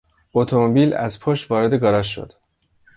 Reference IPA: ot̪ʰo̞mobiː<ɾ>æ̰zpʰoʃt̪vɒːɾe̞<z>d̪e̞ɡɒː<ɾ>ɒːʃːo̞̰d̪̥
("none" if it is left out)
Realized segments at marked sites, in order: l, none, ɾ

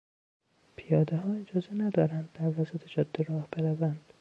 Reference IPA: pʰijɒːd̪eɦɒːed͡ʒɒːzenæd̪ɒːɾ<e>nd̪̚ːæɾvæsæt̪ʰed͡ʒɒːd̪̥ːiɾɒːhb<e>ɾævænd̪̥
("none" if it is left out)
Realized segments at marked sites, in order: æ, e

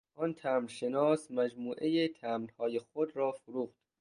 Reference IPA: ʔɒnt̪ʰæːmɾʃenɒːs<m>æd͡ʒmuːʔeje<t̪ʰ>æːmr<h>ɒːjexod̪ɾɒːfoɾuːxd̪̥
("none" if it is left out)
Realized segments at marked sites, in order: m, t̪ʰ, h

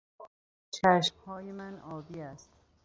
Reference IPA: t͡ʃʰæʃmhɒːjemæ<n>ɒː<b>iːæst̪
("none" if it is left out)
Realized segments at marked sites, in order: n, b

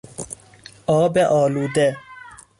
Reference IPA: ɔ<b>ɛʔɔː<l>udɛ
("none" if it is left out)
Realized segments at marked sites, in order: b, l

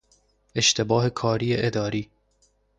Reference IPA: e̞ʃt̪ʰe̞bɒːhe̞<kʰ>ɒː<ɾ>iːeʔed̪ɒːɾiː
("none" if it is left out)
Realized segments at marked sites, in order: kʰ, ɾ

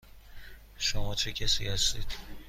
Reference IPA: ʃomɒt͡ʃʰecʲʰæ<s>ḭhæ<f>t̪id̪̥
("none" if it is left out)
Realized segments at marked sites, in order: s, s

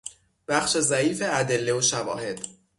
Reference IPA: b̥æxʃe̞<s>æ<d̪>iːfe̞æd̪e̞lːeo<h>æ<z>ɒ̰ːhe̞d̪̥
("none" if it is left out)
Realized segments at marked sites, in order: z, none, ʃ, v

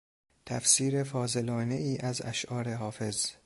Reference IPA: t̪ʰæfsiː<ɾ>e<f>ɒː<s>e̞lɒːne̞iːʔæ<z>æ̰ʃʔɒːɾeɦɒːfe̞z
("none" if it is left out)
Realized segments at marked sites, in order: ɾ, f, z, z

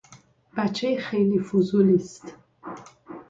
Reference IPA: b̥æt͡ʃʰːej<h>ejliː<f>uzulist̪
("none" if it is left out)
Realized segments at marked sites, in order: x, f

